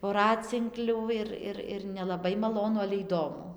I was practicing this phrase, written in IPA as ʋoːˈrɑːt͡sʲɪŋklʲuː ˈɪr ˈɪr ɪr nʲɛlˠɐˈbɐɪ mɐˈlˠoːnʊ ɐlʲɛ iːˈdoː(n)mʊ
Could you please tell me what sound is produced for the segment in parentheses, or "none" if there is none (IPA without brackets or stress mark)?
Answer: none